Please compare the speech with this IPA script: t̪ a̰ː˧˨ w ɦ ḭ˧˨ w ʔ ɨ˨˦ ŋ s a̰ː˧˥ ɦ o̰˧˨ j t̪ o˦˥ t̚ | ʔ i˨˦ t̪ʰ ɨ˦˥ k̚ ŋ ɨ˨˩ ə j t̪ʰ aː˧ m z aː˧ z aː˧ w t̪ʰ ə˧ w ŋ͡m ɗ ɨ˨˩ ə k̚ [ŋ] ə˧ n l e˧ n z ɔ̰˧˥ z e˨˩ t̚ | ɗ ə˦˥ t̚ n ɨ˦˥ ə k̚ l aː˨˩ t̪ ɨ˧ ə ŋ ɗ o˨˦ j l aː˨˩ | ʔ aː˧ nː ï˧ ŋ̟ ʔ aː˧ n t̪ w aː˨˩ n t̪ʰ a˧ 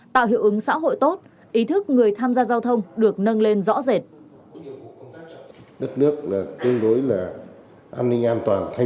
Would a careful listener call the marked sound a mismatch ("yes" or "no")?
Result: yes